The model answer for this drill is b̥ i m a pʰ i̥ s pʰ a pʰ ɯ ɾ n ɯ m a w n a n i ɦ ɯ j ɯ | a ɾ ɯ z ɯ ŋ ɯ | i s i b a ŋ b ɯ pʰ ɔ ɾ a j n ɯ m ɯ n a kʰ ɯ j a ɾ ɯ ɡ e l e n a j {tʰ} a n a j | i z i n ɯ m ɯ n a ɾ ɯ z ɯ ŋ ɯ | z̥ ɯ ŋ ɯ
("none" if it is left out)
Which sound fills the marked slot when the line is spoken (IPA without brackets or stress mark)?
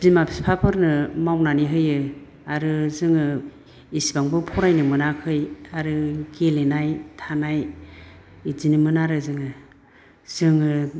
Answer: tʰ